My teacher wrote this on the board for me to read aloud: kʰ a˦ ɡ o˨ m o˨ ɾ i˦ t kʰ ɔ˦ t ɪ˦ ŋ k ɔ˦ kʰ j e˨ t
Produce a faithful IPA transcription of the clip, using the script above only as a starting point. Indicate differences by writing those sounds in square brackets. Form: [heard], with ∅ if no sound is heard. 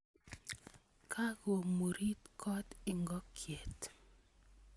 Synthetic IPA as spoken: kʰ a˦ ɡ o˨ m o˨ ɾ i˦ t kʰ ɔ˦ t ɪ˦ ŋ [ɡ] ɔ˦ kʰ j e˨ t